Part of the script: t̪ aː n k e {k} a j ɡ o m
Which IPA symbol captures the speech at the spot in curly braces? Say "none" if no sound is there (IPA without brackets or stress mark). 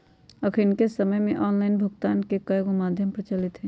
k